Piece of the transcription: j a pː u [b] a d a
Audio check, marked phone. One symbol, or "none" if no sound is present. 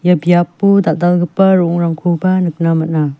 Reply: d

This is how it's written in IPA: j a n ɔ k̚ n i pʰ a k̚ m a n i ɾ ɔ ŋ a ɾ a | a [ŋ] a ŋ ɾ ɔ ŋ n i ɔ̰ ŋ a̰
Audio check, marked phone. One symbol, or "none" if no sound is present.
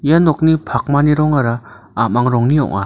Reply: m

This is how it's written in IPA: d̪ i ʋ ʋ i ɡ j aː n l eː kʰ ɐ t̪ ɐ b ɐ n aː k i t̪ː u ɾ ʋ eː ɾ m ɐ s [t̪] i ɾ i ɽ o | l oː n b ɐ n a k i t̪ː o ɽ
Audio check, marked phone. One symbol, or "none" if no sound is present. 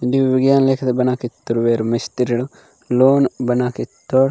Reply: t̪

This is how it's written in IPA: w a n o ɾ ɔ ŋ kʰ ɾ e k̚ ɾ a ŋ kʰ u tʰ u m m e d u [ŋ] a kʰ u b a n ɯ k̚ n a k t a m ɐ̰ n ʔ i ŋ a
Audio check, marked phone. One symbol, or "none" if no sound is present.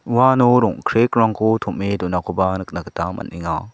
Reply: n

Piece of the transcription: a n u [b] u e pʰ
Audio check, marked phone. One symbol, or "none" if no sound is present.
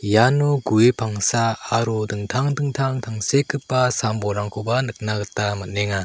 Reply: ɡ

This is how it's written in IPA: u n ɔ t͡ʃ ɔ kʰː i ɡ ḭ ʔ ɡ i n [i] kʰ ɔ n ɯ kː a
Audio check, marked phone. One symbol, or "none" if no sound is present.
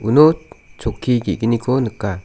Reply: i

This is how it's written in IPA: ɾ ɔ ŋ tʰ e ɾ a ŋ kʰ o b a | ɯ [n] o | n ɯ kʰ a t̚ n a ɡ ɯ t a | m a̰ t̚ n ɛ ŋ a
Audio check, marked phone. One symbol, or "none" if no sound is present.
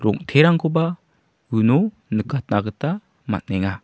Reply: n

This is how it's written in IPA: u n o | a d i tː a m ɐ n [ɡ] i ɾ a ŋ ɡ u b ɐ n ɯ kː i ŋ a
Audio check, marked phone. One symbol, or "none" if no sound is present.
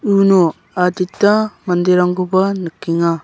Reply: d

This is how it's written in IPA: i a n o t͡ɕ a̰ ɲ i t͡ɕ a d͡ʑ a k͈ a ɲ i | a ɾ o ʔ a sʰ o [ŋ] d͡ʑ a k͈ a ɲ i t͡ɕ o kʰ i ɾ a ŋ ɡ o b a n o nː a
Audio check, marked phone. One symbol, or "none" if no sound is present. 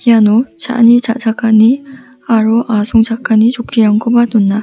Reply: ŋ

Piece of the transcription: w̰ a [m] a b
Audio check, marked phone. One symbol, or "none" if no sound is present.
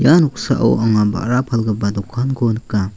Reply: ŋ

